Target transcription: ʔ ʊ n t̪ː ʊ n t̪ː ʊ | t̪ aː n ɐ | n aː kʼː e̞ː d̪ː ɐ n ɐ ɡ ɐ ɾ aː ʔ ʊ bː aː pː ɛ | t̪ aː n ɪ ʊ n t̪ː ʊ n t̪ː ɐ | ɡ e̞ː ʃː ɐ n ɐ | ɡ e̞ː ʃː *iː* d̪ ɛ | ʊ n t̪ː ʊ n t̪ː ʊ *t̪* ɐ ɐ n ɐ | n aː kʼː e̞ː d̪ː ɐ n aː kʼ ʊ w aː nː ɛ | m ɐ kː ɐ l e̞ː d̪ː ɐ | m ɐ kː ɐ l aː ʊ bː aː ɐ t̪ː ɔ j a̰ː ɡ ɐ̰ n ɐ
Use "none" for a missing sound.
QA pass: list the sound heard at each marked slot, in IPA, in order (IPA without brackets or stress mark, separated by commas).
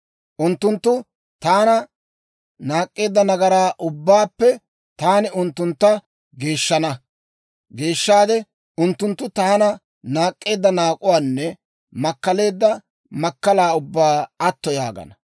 aː, t̪